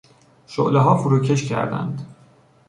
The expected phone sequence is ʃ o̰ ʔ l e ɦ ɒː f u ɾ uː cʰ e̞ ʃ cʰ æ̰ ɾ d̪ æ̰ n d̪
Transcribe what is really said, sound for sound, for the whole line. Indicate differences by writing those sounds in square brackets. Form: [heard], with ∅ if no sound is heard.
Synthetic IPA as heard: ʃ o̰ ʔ l e ɦ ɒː f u ɾ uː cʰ e̞ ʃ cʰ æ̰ ɾ d̪ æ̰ n d̪